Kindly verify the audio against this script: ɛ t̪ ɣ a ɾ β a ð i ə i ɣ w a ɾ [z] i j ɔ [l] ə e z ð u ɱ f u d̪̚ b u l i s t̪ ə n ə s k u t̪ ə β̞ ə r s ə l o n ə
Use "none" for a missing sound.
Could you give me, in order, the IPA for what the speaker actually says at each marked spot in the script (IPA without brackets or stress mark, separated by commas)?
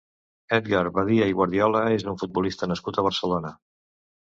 ð, l